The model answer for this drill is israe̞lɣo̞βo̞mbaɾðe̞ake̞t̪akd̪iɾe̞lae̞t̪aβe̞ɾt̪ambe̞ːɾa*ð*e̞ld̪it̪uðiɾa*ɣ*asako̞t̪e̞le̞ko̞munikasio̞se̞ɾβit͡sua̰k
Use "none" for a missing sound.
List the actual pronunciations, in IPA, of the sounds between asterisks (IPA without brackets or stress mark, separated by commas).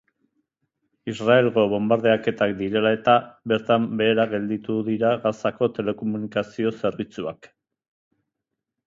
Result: ɣ, ɣ